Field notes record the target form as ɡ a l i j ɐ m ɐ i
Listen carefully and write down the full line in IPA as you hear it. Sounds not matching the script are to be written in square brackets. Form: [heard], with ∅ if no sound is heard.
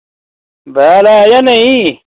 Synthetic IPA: [b] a l [a] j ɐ [n] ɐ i

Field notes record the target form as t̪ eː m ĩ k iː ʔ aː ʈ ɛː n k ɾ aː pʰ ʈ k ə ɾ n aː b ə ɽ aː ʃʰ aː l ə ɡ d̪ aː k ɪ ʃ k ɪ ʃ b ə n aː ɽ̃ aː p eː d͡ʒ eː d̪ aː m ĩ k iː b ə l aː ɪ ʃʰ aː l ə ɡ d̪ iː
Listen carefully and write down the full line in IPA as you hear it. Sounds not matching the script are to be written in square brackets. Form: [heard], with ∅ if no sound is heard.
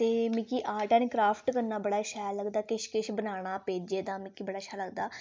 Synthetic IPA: t̪ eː m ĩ k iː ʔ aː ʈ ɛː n k ɾ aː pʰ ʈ k ə ɾ n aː b ə ɽ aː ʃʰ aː l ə ɡ d̪ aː k ɪ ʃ k ɪ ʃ b ə n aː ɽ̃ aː p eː d͡ʒ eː d̪ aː m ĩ k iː b ə [ɽ] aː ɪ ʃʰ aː l ə ɡ d̪ [aː]

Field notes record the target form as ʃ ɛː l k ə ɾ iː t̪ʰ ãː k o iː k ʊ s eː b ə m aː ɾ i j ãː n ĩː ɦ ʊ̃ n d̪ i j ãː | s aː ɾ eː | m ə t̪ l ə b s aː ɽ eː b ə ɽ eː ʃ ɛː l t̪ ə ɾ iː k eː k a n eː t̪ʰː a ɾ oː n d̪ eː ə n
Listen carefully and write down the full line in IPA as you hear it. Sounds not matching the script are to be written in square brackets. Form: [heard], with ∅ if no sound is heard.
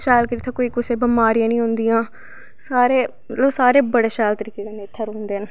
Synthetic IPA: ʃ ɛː l k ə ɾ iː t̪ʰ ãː k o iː k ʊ s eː b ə m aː ɾ i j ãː n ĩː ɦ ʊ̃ n d̪ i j ãː | s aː ɾ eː | m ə t̪ l ə b s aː [ɾ] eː b ə ɽ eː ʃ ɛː l t̪ ə ɾ iː k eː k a n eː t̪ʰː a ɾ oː n d̪ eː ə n

